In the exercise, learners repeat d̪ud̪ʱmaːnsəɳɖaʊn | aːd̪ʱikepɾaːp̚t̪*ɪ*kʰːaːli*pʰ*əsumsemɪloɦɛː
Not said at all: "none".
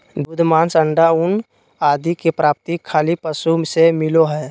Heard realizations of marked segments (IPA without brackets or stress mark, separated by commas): i, p